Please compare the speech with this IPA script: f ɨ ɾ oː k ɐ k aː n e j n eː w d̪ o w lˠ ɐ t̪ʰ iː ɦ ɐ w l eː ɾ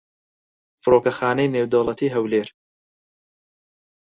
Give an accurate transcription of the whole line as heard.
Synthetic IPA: f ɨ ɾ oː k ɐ x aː n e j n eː w d̪ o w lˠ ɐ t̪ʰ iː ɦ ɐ w l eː ɾ